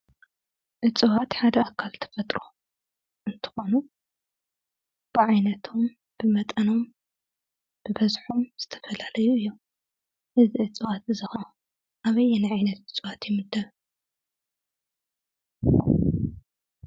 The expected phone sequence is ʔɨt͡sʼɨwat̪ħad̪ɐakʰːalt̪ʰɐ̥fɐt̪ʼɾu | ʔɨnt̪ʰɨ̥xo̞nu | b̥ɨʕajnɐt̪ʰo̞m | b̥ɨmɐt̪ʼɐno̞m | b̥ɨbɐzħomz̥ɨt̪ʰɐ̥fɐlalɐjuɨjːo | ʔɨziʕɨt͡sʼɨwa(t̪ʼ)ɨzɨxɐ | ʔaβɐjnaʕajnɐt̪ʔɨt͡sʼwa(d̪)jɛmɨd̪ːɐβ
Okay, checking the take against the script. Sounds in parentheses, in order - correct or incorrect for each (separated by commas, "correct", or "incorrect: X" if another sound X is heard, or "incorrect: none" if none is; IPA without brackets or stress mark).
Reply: incorrect: t̪, incorrect: t̪